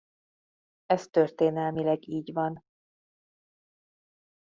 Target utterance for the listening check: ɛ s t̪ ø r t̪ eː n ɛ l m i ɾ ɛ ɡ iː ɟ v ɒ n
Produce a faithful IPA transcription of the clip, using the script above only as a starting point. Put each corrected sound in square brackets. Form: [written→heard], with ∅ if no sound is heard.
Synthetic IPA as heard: ɛ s t̪ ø r t̪ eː n ɛ l m i [ɾ→l] ɛ ɡ iː ɟ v ɒ n